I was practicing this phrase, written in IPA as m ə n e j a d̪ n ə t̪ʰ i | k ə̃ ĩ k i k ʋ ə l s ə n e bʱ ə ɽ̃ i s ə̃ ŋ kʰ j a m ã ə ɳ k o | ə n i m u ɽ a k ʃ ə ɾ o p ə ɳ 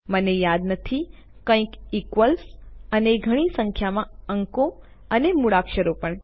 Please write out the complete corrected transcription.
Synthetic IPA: m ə n e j a d̪ n ə t̪ʰ i | k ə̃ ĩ k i k ʋ ə l s ə n e ɡʱ ə ɽ̃ i s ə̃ ŋ kʰ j a m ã ə ŋ k o | ə n e m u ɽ a k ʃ ə ɾ o p ə ɳ

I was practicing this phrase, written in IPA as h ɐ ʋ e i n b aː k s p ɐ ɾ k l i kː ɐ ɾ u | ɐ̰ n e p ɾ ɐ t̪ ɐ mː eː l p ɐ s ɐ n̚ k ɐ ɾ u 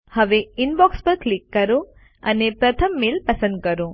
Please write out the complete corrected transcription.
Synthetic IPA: h ɐ ʋ e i n b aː k s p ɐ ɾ k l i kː ɐ ɾ u | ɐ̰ n e p ɾ ɐ t̪ʰ ɐ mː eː l p ɐ s ɐ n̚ k ɐ ɾ u

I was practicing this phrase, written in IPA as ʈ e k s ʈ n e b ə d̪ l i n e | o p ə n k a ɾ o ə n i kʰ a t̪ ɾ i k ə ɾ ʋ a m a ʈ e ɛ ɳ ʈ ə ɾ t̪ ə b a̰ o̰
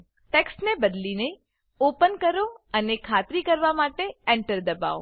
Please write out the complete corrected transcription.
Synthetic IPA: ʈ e k s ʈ n e b ə d̪ l i n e | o p ə n k ə ɾ o ə n e kʰ a t̪ ɾ i k ə ɾ ʋ a m a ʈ e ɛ ɳ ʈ ə ɾ d̪ ə b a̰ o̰

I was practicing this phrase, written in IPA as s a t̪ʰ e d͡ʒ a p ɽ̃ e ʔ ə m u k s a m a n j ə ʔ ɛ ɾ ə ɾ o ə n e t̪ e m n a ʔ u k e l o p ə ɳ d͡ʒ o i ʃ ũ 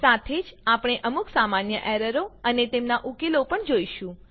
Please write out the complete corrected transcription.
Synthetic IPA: s a t̪ʰ e d͡ʒ a p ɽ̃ e ʔ ə m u k s a m a n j ə ʔ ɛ ɾ ə ɾ o ə n e t̪ e m n a ʔ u k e l o p ə ɳ d͡ʒ o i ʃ ũ

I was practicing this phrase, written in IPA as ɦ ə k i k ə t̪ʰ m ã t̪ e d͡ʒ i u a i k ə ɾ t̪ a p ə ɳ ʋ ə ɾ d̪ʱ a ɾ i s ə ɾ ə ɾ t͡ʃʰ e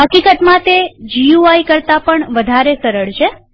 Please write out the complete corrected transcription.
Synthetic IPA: ɦ ə k i k ə t̪ m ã t̪ e d͡ʒ i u a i k ə ɾ t̪ a p ə ɳ ʋ ə d̪ʱ a ɾ e s ə ɾ ə ɭ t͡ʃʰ e

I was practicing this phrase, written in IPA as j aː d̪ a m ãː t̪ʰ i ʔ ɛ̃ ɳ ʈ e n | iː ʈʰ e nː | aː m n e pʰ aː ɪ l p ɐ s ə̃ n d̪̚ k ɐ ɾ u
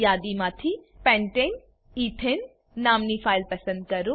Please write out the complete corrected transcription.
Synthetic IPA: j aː d̪ i m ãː t̪ʰ i p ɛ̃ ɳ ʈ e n | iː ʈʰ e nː | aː m n i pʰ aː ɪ l p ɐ s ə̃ n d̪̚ k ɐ ɾ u

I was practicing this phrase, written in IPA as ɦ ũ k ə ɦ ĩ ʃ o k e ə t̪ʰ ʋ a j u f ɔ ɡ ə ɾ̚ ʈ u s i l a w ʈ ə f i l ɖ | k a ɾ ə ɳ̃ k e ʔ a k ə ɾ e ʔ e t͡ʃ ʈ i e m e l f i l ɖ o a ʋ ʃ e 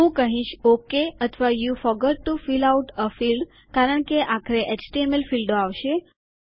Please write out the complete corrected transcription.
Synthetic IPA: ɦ ũ k ə ɦ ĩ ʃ o k e ə t̪ʰ ʋ a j u f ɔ ɡ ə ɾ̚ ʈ u f i l a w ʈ ə f i l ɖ | k a ɾ ə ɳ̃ k e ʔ a kʰ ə ɾ e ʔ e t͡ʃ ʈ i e m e l f i l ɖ o a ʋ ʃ e

